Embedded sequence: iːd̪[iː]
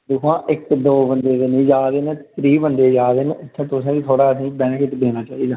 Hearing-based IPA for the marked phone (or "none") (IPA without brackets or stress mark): aː